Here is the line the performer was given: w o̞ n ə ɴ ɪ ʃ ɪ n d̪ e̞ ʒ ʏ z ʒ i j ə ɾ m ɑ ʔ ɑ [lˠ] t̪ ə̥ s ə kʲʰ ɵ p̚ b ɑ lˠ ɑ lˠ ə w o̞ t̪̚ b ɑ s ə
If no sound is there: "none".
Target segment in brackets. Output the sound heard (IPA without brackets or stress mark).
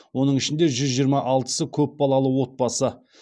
lˠ